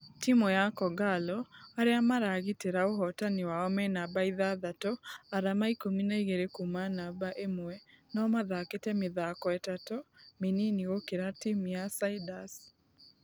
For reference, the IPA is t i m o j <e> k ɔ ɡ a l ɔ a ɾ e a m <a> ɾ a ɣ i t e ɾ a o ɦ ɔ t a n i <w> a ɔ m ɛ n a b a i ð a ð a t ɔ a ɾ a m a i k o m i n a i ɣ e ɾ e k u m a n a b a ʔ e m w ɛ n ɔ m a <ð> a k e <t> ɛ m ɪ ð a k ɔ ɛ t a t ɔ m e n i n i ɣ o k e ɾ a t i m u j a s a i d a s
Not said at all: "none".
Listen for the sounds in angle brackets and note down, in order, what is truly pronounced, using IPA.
a, a, w, ð, t

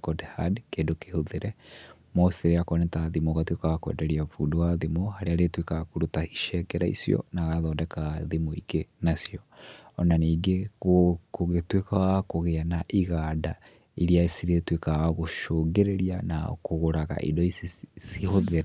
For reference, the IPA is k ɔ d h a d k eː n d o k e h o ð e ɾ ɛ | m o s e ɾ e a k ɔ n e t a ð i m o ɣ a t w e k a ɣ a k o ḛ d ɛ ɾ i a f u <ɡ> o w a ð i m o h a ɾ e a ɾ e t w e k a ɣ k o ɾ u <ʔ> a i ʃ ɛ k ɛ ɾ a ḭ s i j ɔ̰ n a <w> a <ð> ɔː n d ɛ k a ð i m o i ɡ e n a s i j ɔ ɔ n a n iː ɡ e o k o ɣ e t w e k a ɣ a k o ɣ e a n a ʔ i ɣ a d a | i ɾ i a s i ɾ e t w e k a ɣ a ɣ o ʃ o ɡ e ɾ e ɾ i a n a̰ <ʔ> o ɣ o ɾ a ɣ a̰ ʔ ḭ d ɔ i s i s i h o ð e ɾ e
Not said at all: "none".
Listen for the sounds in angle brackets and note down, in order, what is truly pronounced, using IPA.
d, t, ɣ, ð, k

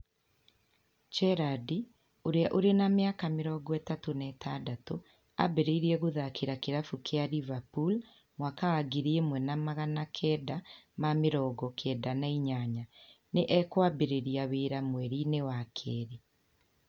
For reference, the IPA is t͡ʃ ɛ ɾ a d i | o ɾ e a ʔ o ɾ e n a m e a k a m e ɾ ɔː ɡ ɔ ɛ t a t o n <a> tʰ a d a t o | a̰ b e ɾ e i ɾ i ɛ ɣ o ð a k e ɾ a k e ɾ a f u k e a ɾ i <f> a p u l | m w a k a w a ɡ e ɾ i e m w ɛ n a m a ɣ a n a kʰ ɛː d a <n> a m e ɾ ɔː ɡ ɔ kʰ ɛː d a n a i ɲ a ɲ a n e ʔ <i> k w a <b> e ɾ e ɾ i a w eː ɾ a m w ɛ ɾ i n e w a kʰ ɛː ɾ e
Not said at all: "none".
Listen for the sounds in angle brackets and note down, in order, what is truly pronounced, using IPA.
ɛ, v, m, ɛ, b

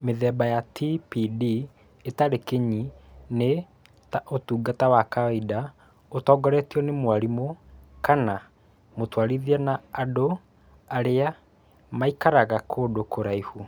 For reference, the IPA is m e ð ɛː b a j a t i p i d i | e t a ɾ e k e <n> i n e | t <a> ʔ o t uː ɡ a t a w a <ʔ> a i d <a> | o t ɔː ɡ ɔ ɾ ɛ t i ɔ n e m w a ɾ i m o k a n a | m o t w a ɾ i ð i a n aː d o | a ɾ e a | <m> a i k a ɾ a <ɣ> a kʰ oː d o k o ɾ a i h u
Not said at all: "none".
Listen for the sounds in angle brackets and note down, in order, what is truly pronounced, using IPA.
ɲ, a, k, a, m, ɣ

